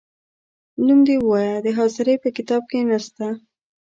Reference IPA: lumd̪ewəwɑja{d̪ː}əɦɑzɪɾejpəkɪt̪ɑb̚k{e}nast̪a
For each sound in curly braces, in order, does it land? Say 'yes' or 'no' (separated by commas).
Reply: no, yes